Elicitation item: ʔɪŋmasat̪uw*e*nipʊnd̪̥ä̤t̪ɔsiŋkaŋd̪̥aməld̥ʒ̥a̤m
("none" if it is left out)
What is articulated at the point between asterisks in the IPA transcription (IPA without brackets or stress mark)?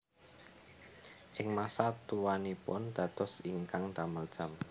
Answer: a